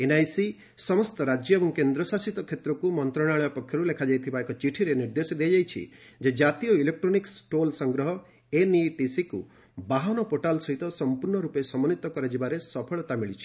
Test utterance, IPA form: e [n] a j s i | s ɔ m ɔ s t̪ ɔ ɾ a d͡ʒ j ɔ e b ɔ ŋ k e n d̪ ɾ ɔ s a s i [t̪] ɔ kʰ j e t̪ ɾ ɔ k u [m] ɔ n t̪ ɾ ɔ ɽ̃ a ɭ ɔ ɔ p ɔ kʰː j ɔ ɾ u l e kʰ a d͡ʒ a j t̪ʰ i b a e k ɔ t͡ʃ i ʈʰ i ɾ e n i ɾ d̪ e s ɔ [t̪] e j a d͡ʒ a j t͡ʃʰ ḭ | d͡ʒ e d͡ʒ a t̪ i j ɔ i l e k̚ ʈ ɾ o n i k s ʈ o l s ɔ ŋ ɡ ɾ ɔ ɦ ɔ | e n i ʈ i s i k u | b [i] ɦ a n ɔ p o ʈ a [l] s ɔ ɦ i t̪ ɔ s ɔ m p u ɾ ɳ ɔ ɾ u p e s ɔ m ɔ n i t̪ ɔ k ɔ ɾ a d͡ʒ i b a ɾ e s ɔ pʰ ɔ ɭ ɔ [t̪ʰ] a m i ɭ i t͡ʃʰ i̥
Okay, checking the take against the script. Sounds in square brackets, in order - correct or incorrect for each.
correct, correct, correct, incorrect: d̪, incorrect: a, correct, incorrect: t̪

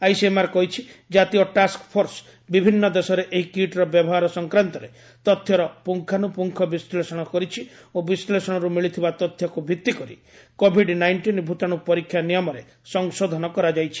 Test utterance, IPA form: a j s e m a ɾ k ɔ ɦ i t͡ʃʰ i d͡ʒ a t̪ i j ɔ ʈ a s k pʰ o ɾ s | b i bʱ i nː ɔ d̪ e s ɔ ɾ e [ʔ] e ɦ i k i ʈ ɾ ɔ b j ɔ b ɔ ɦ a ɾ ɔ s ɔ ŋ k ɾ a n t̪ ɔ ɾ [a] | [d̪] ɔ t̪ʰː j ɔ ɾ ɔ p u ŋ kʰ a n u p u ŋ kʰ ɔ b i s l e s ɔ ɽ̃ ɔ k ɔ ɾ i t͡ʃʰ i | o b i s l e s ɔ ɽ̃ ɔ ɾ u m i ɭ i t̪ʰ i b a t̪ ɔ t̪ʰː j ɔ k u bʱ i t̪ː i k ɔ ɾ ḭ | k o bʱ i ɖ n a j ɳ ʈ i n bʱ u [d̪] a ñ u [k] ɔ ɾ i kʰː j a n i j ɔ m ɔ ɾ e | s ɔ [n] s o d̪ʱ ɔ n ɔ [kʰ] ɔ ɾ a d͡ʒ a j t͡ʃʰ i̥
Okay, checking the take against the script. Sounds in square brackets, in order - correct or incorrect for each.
correct, incorrect: e, incorrect: t̪, incorrect: t̪, incorrect: p, incorrect: ŋ, incorrect: k

